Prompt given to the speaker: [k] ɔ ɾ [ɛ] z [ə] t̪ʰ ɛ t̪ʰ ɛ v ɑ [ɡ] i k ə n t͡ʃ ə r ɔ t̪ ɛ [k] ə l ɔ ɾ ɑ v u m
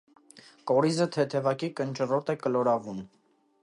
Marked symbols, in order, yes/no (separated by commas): yes, no, yes, no, yes